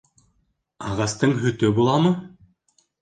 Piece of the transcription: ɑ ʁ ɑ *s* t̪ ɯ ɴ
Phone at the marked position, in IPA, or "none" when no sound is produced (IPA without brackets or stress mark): s